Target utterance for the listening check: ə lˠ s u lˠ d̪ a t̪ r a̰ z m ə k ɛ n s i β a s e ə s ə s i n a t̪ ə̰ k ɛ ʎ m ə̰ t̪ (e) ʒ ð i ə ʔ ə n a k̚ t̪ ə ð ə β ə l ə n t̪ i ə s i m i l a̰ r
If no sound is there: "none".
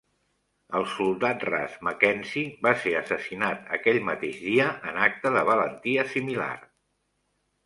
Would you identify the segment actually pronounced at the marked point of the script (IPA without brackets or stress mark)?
e